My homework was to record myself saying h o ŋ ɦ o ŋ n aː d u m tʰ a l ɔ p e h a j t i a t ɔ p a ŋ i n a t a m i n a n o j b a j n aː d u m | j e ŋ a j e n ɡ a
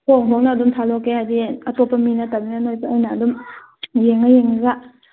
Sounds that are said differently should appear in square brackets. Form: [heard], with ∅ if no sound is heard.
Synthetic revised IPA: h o ŋ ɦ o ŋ n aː d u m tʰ a l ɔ [k] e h a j [d] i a t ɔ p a [m] i n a t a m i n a n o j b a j n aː d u m | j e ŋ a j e [ŋ] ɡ a